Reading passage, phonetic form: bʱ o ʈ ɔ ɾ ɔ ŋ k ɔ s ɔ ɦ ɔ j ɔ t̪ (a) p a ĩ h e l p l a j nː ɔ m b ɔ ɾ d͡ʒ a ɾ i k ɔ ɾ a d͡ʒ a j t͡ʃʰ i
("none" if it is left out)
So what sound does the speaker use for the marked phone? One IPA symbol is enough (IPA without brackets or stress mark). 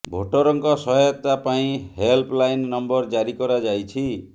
a